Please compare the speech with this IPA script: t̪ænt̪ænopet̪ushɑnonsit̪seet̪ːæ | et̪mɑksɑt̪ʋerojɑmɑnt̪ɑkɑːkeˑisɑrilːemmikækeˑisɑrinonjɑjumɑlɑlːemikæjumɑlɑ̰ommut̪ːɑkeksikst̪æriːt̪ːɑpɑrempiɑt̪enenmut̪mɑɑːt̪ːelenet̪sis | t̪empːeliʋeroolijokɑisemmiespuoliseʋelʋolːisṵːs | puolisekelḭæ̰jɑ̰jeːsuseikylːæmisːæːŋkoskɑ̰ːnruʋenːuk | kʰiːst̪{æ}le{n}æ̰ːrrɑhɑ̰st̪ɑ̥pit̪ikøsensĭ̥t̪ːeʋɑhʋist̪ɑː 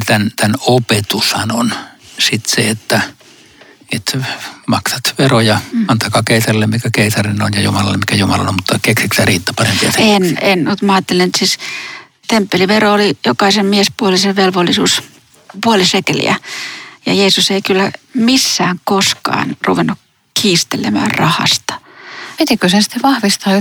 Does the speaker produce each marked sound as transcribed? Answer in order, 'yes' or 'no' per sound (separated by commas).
no, no